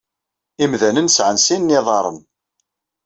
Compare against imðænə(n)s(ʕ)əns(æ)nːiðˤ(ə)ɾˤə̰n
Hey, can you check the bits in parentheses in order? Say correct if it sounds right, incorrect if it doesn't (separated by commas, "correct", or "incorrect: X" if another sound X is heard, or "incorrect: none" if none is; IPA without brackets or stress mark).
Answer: correct, correct, incorrect: i, incorrect: ɑ